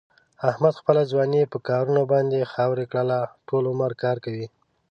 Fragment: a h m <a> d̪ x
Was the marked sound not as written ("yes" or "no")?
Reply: no